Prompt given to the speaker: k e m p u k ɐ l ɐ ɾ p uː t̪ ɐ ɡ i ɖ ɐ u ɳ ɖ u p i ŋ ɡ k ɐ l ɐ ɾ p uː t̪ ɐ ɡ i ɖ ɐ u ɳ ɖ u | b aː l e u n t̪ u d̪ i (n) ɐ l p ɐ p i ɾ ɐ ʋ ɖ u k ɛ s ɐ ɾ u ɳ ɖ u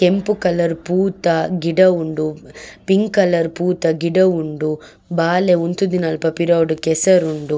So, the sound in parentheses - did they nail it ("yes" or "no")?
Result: yes